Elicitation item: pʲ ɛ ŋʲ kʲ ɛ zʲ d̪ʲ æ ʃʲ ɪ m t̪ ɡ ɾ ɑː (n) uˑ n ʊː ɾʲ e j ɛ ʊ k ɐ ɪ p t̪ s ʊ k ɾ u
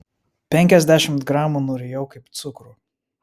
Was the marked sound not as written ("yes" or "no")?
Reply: yes